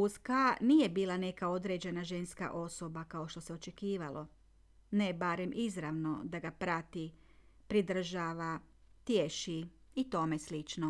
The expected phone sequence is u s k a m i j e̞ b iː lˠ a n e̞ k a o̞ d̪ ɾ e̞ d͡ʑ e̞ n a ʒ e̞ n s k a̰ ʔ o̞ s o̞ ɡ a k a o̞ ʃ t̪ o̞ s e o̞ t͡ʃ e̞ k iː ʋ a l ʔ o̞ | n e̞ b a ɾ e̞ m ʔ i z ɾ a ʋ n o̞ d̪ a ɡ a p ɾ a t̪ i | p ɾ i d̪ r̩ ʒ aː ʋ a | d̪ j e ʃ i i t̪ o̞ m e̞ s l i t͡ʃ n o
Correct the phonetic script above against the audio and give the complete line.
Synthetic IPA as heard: u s k a n i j e̞ b iː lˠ a n e̞ k a o̞ d̪ ɾ e̞ d͡ʑ e̞ n a ʒ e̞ n s k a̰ ʔ o̞ s o̞ b a k a o̞ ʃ t̪ o̞ s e o̞ t͡ʃ e̞ k iː ʋ a l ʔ o̞ | n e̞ b a ɾ e̞ m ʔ i z ɾ a ʋ n o̞ d̪ a ɡ a p ɾ a t̪ i | p ɾ i d̪ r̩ ʒ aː ʋ a | t̪ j e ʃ i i t̪ o̞ m e̞ s l i t͡ʃ n o